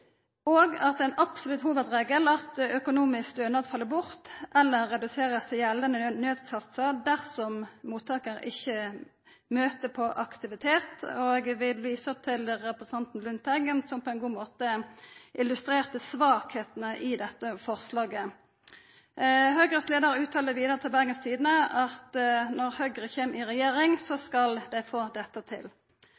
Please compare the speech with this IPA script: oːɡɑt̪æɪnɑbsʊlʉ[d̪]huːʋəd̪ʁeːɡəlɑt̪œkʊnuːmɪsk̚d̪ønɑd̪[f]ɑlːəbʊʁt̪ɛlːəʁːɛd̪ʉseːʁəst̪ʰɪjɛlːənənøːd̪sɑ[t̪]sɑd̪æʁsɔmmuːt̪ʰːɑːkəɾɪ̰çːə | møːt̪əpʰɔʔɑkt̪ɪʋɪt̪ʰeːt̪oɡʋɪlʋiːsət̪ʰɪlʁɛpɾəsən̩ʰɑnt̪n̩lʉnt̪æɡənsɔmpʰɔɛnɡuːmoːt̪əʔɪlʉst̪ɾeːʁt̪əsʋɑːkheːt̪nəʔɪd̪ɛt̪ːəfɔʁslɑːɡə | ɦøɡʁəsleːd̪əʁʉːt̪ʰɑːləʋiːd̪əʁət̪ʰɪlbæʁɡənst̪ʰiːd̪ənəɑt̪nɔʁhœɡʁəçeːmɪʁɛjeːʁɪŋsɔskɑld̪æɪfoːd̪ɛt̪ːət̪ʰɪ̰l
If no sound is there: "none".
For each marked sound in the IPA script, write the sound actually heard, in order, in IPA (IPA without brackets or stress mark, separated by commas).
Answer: t̪, f, t̪